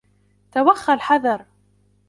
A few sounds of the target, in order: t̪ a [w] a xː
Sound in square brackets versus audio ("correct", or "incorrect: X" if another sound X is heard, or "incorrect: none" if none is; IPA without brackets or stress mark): correct